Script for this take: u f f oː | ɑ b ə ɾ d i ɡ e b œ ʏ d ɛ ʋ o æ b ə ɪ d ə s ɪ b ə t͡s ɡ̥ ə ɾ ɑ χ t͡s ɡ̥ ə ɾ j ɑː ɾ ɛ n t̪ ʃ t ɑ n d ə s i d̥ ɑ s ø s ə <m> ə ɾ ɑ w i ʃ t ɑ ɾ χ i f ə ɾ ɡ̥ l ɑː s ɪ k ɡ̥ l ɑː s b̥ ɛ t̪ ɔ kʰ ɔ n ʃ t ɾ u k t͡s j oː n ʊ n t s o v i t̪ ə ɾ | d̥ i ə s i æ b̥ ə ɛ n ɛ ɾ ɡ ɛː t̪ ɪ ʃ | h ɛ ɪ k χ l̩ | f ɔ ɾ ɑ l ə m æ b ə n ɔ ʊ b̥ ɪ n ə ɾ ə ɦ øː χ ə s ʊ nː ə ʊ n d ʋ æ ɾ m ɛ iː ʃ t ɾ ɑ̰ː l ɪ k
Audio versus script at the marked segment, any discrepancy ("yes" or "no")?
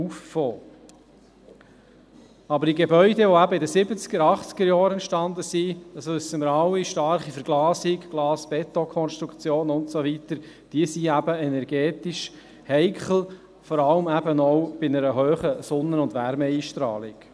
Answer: no